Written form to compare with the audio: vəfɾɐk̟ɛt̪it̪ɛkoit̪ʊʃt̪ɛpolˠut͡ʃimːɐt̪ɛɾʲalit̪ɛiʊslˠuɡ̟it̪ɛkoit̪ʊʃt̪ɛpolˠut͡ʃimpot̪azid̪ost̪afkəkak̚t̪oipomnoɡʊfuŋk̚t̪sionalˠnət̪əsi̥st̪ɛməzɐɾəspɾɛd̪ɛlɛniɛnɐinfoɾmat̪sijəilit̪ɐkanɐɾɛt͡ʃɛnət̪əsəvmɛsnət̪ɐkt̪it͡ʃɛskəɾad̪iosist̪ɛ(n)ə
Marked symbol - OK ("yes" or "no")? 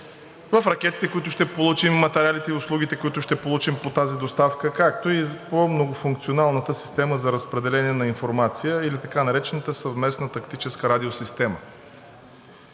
no